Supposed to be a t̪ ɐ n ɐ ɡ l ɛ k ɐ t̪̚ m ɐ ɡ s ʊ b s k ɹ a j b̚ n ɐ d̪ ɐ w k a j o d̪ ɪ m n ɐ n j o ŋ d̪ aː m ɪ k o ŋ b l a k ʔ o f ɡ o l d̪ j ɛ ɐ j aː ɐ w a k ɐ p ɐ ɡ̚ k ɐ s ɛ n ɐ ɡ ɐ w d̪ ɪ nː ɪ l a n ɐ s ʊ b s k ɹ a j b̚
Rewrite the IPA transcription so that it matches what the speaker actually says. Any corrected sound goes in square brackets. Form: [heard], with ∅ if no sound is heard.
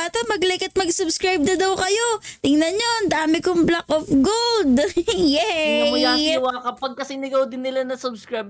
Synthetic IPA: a t̪ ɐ [m] ɐ ɡ l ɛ k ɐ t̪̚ m ɐ ɡ s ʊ b s k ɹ a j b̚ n ɐ d̪ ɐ w k [ɐ] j o [t̪] ɪ [ŋ] n ɐ n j o [n] d̪ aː m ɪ k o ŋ b l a k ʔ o f ɡ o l d̪ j ɛ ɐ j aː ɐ w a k ɐ p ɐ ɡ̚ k ɐ s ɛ n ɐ ɡ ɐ w d̪ ɪ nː ɪ l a n ɐ s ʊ b s k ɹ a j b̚